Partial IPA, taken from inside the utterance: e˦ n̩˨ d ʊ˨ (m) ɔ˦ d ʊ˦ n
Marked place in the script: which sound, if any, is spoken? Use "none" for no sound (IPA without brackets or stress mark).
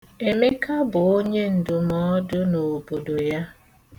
m